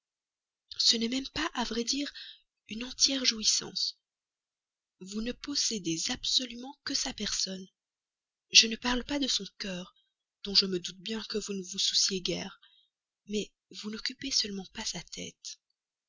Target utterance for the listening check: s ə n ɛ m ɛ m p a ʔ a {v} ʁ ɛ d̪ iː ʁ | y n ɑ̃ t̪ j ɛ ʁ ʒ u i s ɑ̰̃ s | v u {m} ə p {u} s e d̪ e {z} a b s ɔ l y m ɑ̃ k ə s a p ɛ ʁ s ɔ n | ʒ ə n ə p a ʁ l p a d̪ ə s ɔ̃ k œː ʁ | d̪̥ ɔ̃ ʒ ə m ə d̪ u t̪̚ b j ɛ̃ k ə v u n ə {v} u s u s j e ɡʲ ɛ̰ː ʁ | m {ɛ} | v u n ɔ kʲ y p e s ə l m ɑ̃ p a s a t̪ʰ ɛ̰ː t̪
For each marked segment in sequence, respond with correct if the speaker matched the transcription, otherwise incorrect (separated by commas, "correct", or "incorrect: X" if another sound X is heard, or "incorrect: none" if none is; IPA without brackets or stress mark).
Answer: correct, incorrect: n, incorrect: ɔ, correct, correct, correct